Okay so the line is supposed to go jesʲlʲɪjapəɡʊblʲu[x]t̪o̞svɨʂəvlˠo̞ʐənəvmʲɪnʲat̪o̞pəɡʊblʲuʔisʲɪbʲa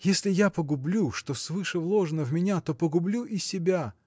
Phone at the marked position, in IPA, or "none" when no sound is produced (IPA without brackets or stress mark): ʂ